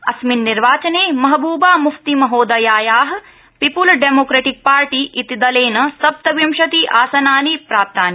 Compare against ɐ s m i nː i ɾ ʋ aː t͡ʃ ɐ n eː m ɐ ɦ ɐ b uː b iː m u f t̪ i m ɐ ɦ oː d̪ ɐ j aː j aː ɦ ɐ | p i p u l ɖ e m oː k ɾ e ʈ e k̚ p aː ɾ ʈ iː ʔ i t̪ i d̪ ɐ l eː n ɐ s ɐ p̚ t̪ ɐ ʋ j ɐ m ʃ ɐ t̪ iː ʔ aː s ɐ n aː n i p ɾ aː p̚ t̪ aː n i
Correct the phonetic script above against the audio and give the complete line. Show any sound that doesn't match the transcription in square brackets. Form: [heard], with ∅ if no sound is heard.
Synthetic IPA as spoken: ɐ s m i nː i ɾ ʋ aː t͡ʃ ɐ n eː m ɐ ɦ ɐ b uː b [aː] m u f t̪ i m ɐ ɦ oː d̪ ɐ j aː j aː ɦ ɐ | p i p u l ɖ e m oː k ɾ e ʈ [i] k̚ p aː ɾ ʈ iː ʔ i t̪ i d̪ ɐ l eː n ɐ s ɐ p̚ t̪ ɐ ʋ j ɐ m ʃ ɐ t̪ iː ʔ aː s ɐ n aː n i p ɾ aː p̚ t̪ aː n i